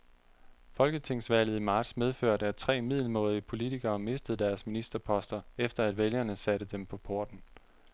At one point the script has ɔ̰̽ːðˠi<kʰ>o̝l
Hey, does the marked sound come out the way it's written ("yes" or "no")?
no